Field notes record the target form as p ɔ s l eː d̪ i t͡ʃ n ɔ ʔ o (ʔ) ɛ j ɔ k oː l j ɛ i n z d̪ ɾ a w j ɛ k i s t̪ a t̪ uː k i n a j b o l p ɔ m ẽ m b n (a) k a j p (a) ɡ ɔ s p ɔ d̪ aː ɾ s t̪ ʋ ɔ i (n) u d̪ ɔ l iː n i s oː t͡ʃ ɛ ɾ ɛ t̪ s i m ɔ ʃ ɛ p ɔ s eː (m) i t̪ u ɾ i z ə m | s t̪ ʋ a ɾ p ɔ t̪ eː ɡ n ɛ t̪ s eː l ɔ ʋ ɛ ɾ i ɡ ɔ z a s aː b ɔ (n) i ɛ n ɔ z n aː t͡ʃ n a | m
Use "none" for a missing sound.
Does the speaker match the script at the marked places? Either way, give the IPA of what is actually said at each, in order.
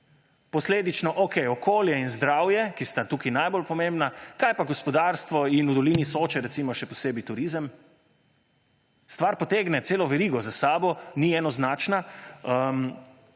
k, a, a, n, b, n

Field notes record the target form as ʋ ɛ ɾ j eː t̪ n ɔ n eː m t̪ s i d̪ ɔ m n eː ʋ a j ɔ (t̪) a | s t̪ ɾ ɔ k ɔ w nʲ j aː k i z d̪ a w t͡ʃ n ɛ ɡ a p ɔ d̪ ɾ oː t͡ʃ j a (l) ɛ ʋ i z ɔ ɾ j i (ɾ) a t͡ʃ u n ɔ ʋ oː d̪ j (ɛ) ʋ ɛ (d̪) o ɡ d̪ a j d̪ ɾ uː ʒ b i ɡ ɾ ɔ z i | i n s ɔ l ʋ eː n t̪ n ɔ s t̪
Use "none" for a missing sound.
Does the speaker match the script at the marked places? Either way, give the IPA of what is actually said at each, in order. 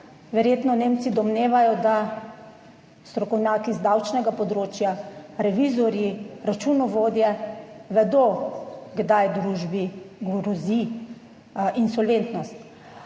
d̪, ɾ, ɾ, ɛ, d̪

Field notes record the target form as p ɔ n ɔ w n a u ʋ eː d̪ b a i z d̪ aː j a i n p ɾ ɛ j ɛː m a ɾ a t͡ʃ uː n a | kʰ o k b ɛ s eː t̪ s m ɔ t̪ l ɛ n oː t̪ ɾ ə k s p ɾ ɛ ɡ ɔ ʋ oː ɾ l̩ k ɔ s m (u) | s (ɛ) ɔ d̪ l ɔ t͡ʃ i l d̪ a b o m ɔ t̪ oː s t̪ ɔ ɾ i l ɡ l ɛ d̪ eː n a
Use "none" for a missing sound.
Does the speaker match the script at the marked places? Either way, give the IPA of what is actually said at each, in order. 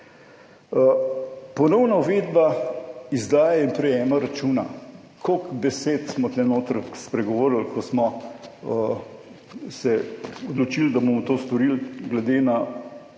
ɔ, ɛ

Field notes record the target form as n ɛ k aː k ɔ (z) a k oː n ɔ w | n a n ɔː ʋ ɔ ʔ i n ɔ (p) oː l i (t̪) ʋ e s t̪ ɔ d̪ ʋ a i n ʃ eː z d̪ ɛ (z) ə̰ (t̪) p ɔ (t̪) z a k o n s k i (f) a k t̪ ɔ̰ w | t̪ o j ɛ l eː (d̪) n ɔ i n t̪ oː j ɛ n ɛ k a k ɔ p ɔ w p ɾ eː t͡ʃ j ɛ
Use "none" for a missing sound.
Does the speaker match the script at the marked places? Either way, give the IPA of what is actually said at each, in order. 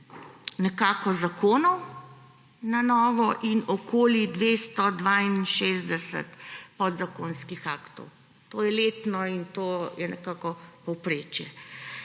z, k, d̪, s, t̪, d̪, x, t̪

